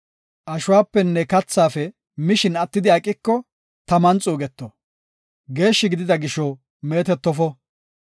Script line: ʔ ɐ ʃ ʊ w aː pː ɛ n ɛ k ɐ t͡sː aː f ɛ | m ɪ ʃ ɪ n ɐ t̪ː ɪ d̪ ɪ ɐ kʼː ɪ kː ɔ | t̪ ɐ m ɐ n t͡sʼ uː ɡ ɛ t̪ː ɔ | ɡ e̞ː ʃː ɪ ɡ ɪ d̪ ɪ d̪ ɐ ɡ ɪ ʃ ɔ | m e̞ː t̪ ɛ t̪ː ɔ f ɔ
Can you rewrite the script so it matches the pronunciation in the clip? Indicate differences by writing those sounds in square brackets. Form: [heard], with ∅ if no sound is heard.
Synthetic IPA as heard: ʔ ɐ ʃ ʊ w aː pː ɛ [nː] ɛ k ɐ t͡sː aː f ɛ | m ɪ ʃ ɪ n ɐ t̪ː ɪ d̪ ɪ ɐ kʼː ɪ kː ɔ | t̪ ɐ m ɐ n t͡sʼ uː ɡ ɛ t̪ː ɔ | ɡ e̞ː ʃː ɪ ɡ ɪ d̪ ɪ d̪ ɐ ɡ ɪ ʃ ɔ | m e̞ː t̪ ɛ t̪ː ɔ f ɔ